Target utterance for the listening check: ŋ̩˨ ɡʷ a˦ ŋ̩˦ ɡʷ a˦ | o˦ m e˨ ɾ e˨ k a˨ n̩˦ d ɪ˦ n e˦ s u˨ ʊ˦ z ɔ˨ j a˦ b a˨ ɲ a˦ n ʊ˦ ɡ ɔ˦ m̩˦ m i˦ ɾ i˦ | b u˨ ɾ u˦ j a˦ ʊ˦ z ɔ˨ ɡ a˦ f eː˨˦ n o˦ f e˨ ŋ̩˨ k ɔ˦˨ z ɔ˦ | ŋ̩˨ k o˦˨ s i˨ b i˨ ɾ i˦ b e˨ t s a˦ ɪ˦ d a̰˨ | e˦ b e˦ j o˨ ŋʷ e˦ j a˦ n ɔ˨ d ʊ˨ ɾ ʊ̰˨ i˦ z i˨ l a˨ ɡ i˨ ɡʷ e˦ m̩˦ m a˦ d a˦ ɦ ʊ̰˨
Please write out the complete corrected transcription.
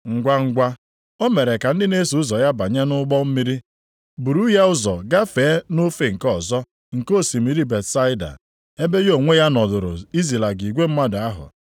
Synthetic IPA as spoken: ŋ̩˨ ɡʷ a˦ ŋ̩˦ ɡʷ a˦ | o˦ m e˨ ɾ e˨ k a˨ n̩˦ d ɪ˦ n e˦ s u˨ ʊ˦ z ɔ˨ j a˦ b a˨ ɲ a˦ n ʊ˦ ɡ͡b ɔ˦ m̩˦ m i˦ ɾ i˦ | b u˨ ɾ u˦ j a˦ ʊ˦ z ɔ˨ ɡ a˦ f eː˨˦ n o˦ f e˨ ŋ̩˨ k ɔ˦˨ z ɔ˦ | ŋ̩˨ k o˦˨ s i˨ m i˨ ɾ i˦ b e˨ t s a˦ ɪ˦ d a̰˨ | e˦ b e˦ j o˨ ŋʷ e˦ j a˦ n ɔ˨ d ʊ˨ ɾ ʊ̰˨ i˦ z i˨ l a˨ ɡ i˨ ɡʷ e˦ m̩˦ m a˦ d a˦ ɦ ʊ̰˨

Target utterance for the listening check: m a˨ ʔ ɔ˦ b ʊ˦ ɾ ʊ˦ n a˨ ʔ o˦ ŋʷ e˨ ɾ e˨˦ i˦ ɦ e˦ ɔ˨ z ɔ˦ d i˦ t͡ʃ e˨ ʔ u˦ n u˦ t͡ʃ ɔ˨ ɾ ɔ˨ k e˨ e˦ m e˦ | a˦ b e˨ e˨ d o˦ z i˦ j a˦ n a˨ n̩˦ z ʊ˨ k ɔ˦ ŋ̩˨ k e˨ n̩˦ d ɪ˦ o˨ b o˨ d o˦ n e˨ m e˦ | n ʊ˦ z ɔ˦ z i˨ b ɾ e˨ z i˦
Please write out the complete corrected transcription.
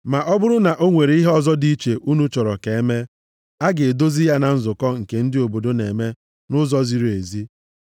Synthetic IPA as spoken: m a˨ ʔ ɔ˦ b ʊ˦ ɾ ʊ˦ n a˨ ʔ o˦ ŋʷ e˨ ɾ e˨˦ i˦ ɦ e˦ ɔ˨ z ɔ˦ d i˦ t͡ʃ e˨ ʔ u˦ n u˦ t͡ʃ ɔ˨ ɾ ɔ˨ k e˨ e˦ m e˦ | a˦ ɡ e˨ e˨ d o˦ z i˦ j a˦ n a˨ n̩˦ z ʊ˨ k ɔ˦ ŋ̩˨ k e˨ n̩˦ d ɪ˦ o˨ b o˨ d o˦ n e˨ m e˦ | n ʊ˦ z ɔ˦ z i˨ ɾ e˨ z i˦

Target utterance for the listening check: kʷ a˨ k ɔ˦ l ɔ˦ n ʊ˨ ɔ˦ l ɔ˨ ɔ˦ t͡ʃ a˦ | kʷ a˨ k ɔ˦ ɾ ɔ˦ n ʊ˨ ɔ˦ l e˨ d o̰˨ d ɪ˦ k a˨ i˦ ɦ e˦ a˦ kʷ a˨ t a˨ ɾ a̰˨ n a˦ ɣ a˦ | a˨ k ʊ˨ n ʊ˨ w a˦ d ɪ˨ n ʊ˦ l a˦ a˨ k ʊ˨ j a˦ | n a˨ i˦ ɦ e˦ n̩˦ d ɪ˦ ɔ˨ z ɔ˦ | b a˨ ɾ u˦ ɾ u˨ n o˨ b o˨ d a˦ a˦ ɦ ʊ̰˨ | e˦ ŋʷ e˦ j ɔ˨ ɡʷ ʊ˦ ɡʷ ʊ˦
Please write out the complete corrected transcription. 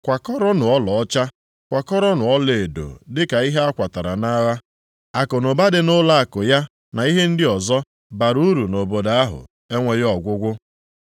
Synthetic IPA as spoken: kʷ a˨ k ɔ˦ ɾ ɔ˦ n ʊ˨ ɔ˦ l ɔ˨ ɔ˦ t͡ʃ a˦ | kʷ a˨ k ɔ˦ ɾ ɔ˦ n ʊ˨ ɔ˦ l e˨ d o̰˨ d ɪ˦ k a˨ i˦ ɦ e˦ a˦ kʷ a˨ t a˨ ɾ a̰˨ n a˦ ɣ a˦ | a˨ k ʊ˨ n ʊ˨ b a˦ d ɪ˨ n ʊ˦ l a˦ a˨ k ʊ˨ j a˦ | n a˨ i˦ ɦ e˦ n̩˦ d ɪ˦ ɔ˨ z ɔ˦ | b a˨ ɾ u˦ ɾ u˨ n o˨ b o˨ d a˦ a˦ ɦ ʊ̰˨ | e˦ ŋʷ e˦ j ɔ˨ ɡʷ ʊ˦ ɡʷ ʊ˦

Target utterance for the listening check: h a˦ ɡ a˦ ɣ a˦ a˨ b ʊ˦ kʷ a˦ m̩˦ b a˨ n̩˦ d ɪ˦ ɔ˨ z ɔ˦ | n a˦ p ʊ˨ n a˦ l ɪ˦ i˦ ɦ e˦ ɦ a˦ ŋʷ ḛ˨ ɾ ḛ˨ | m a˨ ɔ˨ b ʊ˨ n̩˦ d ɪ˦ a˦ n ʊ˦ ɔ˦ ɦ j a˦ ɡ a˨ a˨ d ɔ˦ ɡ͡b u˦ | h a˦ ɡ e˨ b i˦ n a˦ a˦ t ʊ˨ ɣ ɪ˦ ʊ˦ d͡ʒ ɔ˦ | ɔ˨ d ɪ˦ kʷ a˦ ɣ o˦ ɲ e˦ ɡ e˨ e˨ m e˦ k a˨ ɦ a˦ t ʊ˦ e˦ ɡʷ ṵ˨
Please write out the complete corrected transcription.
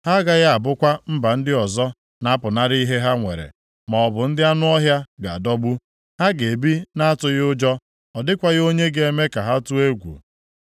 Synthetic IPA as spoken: h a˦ ɡ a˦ ɣ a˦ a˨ b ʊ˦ kʷ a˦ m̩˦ b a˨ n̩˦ d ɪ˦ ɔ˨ z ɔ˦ | n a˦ p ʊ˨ n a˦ ɾ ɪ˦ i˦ ɦ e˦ ɦ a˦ ŋʷ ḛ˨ ɾ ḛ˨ | m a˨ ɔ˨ b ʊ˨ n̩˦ d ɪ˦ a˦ n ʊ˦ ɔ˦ ɦ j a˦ ɡ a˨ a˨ d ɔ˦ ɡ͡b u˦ | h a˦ ɡ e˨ b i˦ n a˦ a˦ t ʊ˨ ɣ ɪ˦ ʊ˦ d͡ʒ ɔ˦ | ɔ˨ d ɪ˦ kʷ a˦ ɣ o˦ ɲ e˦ ɡ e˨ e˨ m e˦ k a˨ ɦ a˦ t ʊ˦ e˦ ɡʷ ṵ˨

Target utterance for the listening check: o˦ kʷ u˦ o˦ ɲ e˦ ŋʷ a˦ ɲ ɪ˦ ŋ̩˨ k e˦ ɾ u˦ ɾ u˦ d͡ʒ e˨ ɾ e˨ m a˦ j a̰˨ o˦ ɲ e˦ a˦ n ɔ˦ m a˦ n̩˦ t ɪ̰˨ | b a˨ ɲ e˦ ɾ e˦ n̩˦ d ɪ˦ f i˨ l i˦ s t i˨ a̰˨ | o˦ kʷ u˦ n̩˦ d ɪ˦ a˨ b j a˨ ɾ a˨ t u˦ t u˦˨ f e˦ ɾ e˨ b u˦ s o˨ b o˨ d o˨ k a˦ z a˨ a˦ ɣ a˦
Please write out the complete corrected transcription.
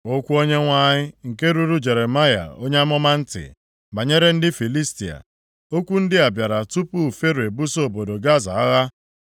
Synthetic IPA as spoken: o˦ kʷ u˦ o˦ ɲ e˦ ŋʷ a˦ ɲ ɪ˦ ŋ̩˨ k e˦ ɾ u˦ ɾ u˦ d͡ʒ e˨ ɾ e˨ m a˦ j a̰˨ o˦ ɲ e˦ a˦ m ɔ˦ m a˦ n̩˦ t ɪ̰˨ | b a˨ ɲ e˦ ɾ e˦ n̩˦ d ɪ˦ f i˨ l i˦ s t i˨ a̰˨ | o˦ kʷ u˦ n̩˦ d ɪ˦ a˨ b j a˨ ɾ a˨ t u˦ p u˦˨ f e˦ ɾ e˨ b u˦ s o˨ b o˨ d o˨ ɡ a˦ z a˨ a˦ ɣ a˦

